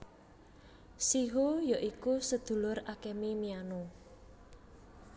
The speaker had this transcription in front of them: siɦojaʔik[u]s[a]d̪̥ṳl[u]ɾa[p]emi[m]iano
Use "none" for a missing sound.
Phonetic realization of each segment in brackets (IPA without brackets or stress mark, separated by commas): u, ə, ʊ, k, m